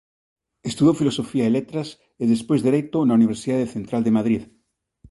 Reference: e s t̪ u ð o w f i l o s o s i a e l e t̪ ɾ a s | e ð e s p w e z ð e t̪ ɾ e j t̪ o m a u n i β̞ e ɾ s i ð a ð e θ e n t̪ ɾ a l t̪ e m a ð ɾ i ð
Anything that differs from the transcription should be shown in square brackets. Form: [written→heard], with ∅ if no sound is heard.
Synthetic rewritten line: e s t̪ u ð o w f i l o s o [s→f] i a e l e t̪ ɾ a s | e ð e s p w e z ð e [t̪→∅] ɾ e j t̪ o [m→n] a u n i β̞ e ɾ s i ð a ð e θ e n t̪ ɾ a l [t̪→d̪] e m a ð ɾ i ð